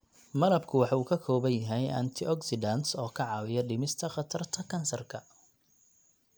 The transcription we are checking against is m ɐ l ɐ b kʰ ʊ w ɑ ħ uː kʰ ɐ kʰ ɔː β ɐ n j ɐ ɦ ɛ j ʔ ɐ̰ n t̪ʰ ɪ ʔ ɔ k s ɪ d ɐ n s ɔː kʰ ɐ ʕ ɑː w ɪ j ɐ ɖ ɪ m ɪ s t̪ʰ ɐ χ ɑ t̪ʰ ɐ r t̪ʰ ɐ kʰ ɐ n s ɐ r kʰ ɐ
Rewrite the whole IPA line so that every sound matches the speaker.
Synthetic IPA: m ɐ l ɐ b kʰ ʊ w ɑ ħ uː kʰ ɐ kʰ ɔː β ɐ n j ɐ ɦ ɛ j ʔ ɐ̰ n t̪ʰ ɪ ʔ ɔ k s ɪ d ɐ n s ɔː kʰ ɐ ʕ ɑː w ɪ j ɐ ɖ ɪ m ɪ s t̪ʰ ɐ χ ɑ t̪ʰ ɐ r t̪ʰ ɐ kʰ ɐ n s ɐ r kʰ ɐ